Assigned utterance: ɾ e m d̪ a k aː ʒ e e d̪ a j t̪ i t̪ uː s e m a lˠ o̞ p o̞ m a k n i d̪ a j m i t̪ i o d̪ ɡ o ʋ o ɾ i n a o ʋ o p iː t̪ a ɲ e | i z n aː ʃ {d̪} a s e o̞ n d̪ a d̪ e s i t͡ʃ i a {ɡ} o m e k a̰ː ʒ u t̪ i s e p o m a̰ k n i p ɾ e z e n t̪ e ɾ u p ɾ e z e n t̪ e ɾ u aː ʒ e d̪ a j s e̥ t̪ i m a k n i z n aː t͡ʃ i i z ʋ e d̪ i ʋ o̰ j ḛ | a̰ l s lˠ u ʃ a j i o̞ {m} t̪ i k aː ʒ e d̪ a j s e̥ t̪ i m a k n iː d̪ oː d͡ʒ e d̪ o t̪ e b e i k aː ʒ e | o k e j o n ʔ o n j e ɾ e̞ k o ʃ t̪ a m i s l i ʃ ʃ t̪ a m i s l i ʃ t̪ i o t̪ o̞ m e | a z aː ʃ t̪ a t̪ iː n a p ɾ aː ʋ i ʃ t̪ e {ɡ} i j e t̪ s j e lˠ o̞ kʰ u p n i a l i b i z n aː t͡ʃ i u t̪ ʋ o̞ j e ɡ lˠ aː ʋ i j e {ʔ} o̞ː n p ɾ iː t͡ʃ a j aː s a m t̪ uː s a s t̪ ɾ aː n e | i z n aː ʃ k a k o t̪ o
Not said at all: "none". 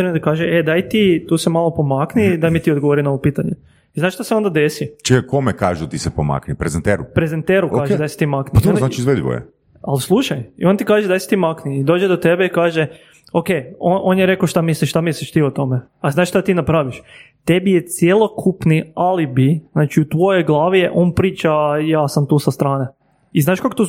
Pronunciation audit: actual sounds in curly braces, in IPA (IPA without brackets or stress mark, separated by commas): t̪, k, n, b, ʔ